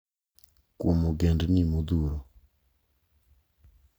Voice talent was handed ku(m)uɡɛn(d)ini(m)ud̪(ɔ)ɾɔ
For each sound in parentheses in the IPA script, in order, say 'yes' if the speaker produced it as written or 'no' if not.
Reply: yes, yes, yes, no

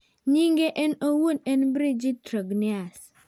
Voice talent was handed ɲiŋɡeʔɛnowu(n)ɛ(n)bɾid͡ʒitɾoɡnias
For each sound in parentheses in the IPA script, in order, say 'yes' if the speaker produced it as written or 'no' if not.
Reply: yes, yes

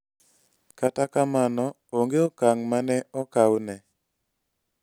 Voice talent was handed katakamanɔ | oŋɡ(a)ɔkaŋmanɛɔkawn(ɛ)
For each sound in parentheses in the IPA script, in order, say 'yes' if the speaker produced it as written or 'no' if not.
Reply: no, yes

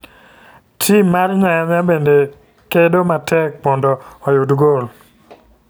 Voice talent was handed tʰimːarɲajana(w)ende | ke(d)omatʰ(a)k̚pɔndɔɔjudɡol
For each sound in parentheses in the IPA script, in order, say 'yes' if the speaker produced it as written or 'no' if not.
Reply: no, yes, no

